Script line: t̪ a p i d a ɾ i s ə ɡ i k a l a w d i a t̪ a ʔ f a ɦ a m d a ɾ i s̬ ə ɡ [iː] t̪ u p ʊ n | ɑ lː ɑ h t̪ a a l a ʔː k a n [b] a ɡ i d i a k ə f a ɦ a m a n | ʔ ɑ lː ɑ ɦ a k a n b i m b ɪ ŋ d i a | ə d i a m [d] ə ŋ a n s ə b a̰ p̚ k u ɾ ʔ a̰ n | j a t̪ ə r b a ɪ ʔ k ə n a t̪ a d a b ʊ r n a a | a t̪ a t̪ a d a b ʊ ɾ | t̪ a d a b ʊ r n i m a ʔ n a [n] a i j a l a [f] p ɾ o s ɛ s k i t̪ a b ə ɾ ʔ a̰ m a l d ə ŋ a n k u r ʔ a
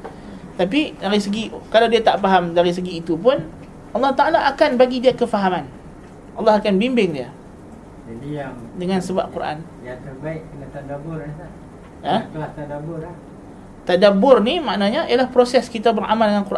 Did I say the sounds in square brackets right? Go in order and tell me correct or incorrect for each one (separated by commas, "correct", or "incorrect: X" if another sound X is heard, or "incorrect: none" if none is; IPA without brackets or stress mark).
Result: correct, correct, correct, incorrect: ɲ, incorrect: h